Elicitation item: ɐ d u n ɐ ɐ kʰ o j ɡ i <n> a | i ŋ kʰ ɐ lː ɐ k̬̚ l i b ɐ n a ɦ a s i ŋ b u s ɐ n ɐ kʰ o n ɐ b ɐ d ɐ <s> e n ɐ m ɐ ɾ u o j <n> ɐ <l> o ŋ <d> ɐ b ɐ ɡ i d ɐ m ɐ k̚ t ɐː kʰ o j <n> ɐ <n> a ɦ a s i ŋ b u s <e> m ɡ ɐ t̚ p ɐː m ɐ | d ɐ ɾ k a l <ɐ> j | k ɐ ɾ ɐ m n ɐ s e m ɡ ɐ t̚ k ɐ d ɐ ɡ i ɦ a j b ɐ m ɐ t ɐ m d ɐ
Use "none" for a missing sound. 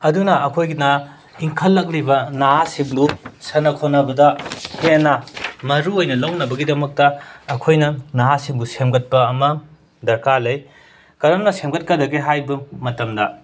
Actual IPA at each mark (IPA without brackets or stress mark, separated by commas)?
n, h, n, l, n, n, n, e, ɐ